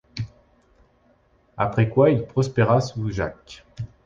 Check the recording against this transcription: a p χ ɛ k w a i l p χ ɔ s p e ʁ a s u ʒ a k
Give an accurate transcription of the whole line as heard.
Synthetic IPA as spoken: a p χ ɛ k w a i l p χ ɔ s p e ʁ a s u ʒ a k